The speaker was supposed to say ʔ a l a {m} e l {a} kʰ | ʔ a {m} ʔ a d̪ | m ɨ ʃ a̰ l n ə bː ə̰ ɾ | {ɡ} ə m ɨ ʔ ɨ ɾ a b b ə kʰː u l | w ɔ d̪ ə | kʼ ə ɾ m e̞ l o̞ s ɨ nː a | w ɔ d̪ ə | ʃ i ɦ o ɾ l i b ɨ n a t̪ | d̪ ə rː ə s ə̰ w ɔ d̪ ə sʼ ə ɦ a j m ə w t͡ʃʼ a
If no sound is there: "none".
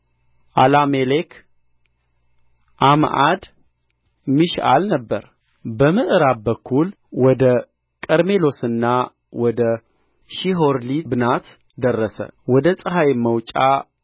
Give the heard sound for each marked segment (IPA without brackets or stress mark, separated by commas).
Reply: m, e, m, b